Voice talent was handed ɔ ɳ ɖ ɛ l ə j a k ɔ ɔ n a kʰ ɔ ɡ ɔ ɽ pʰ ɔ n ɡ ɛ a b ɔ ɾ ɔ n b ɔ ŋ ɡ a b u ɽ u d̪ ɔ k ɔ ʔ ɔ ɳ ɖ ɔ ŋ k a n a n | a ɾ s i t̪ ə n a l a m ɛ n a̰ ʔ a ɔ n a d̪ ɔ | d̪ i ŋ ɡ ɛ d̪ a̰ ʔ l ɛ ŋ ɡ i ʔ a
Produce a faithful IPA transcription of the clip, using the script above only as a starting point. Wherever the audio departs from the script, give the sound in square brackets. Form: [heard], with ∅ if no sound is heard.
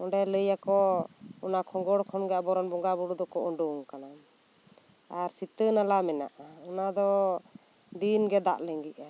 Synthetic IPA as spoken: ɔ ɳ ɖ ɛ l ə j a k ɔ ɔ n a kʰ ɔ ɡ ɔ ɽ [kʰ] ɔ n ɡ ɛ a b ɔ ɾ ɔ n b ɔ ŋ ɡ a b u ɽ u d̪ ɔ k ɔ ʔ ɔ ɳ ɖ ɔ ŋ k a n a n | a ɾ s i t̪ ə n a l a m ɛ n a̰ ʔ a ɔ n a d̪ ɔ | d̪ i [n] ɡ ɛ d̪ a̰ ʔ l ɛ ŋ ɡ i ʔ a

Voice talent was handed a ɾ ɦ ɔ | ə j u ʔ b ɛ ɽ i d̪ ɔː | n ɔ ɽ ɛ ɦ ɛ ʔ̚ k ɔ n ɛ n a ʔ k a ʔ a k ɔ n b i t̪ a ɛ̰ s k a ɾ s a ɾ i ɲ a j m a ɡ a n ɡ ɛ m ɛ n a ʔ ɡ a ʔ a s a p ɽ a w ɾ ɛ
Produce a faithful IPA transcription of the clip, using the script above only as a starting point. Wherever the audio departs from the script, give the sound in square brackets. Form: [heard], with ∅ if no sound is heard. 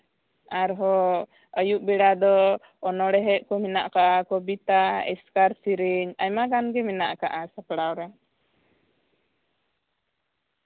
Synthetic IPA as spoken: a ɾ ɦ ɔ | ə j u ʔ b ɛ ɽ [a] d̪ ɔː | n ɔ ɽ ɛ ɦ ɛ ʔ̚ k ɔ [m] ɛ n a ʔ k a ʔ a k ɔ [∅] b i t̪ a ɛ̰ s k a ɾ s [i] ɾ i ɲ a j m a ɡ a n ɡ ɛ m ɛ n a ʔ [k] a ʔ a s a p ɽ a w ɾ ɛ

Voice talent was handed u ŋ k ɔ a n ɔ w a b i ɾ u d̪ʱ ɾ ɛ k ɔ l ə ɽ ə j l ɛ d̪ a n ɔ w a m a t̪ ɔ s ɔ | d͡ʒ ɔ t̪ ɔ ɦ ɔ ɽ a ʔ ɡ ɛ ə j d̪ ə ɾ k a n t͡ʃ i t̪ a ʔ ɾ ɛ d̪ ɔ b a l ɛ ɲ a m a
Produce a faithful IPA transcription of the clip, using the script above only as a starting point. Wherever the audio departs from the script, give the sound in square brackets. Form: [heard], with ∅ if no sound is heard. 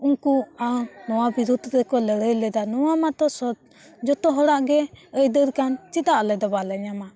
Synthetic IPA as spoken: u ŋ k [u] a n ɔ w a b i ɾ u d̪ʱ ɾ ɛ k ɔ l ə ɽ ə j l ɛ d̪ a n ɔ w a m a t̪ ɔ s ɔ | d͡ʒ ɔ t̪ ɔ ɦ ɔ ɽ a ʔ ɡ ɛ ə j d̪ ə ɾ k a n t͡ʃ i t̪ a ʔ [l] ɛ d̪ ɔ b a l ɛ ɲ a m a

